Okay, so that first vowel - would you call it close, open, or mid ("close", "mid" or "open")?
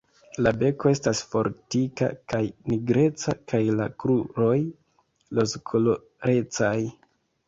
open